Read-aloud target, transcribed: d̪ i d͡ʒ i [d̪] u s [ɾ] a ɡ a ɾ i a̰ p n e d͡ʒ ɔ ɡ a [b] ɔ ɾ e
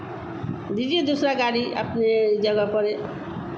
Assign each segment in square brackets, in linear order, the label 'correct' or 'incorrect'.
correct, correct, incorrect: p

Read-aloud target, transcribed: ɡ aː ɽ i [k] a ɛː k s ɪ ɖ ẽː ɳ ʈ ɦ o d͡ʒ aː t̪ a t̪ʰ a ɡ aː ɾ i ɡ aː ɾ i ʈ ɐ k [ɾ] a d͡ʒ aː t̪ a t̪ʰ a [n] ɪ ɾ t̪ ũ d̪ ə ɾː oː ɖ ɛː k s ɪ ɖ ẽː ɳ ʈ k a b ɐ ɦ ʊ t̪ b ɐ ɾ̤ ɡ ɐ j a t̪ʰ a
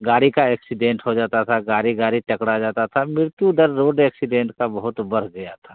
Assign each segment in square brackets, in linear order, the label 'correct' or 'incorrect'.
correct, incorrect: ɽ, incorrect: m

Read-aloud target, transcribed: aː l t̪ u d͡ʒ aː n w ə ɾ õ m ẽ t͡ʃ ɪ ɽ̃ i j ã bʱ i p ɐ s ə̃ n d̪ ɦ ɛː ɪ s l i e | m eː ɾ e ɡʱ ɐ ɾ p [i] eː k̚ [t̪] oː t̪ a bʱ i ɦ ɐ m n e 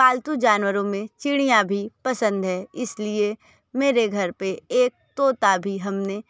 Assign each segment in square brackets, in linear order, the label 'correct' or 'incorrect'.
incorrect: e, correct

